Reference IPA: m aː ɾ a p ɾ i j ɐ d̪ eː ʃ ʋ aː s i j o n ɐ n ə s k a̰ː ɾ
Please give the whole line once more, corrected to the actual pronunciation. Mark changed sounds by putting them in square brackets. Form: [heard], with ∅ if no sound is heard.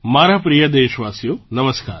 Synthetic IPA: m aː ɾ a p ɾ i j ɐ d̪ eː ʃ ʋ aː s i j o n ɐ [m] ə s k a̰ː ɾ